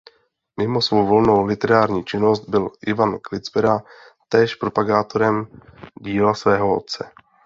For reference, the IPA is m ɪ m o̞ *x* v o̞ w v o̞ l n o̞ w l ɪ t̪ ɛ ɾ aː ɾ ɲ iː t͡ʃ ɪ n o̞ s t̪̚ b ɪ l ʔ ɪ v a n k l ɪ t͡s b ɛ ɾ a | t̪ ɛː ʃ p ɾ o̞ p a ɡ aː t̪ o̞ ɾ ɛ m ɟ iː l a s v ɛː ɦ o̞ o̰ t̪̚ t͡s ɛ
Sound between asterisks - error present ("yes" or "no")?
yes